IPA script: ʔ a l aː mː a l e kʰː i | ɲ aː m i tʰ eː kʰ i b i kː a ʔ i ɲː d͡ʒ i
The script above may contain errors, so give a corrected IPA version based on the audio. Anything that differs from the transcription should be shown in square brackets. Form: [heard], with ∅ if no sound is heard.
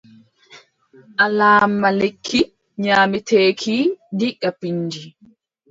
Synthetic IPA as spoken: ʔ a l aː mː a l e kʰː i | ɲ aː m i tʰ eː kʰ i [d] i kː a [p] i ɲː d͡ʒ i